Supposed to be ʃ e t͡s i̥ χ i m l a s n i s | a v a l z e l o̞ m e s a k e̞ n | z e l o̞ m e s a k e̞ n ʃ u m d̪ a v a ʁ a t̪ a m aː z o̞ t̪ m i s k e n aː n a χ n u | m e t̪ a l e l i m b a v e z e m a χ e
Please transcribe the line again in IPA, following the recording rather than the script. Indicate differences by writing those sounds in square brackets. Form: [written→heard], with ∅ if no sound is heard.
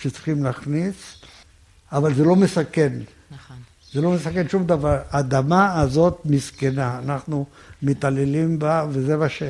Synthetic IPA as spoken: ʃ e t͡s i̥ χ i m l a [s→χ] n i s | a v a l z e l o̞ m e s a k e̞ n | z e l o̞ m e s a k e̞ n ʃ u m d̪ a v a ʁ a [t̪→d̪] a m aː z o̞ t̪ m i s k e n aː n a χ n u | m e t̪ a l e l i m b a v e z e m a [χ→ʃ] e